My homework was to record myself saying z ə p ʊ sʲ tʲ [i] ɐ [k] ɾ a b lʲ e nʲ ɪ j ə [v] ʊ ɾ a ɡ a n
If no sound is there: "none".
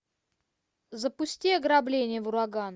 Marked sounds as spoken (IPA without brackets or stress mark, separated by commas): i, ɡ, v